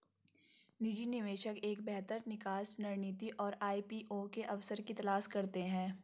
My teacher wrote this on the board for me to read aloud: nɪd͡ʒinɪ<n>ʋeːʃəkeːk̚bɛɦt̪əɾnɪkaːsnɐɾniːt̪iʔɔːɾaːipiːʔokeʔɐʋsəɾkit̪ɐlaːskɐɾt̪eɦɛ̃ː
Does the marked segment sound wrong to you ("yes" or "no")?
yes